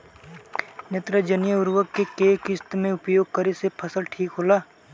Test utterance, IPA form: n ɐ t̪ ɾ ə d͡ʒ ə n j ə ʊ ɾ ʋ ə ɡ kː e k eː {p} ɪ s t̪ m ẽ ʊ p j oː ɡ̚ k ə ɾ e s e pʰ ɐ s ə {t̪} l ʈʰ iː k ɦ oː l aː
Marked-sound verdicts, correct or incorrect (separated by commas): incorrect, incorrect